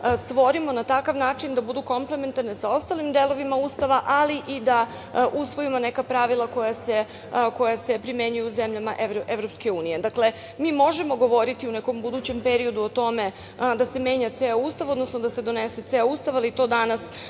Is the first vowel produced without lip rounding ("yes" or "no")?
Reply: no